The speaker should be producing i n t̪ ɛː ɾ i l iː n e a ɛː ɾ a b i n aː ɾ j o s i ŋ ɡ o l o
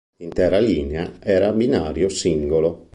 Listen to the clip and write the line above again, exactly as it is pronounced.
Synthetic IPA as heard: i n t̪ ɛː ɾ a l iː n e a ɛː ɾ a b i n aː ɾ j o s i ŋ ɡ o l o